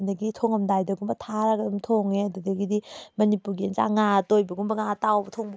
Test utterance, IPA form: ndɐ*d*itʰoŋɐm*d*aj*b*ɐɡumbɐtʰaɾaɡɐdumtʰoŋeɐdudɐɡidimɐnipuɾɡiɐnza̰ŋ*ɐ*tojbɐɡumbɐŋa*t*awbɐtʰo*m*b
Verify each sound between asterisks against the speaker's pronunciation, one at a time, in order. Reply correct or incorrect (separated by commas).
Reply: incorrect, correct, incorrect, incorrect, correct, incorrect